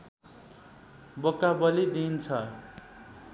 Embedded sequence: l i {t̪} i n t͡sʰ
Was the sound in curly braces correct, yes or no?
no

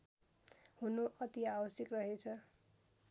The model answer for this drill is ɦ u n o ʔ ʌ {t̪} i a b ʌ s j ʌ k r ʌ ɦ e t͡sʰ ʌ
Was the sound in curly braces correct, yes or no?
yes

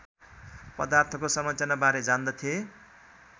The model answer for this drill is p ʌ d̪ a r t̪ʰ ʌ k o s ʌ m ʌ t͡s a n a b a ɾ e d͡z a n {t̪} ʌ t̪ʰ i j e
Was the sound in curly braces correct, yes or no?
no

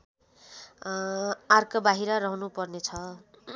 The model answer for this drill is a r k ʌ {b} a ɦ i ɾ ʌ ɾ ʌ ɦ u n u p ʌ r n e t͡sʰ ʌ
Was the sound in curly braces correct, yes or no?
yes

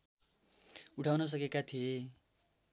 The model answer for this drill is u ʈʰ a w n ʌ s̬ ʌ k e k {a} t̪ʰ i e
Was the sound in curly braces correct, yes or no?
yes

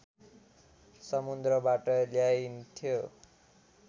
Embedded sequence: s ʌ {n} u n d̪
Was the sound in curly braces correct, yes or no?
no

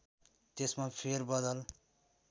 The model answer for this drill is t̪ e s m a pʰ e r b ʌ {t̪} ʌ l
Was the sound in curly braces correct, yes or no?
no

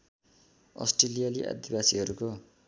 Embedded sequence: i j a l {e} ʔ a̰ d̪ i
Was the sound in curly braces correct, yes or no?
no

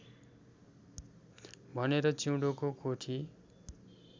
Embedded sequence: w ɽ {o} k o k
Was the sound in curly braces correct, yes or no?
yes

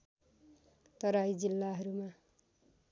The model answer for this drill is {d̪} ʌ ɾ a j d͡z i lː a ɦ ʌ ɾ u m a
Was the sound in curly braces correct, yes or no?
no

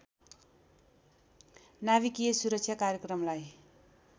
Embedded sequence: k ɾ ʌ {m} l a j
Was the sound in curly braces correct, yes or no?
yes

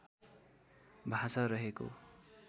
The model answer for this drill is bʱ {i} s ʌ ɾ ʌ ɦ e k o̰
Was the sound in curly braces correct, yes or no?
no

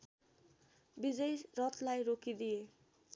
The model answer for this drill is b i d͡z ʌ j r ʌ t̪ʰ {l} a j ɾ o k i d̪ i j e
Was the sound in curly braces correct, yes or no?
yes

